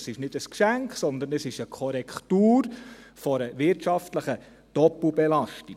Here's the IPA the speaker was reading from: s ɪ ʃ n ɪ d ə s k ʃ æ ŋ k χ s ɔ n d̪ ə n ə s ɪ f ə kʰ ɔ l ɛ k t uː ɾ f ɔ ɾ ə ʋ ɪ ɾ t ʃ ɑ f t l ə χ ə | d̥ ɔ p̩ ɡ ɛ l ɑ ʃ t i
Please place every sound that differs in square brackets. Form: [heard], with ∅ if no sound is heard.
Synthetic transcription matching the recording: s ɪ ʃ n ɪ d ə s k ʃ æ ŋ k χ s ɔ n d̪ ə n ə s ɪ [ʃ] ə kʰ ɔ [ɾ] ɛ k t uː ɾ f ɔ ɾ ə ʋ ɪ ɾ t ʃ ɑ f t l ə χ ə | d̥ ɔ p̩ [b] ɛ l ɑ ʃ t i